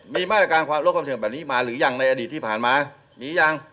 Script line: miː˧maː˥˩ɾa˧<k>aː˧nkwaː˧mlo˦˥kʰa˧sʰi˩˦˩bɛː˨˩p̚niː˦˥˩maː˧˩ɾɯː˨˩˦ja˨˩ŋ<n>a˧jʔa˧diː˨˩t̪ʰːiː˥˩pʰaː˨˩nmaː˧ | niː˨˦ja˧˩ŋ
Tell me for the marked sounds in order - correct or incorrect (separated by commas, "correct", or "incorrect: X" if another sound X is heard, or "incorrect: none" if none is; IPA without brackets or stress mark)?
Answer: correct, correct